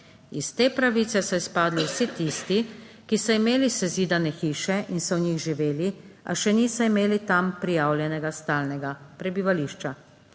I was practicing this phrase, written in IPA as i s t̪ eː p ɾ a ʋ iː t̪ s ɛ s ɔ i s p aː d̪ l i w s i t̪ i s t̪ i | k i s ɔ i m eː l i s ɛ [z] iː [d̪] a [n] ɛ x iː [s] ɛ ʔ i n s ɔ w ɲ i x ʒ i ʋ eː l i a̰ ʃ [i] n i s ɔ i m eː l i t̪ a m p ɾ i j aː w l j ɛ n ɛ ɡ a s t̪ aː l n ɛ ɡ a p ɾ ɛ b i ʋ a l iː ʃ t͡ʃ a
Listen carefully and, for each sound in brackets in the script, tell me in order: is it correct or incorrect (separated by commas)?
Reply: correct, correct, correct, incorrect, incorrect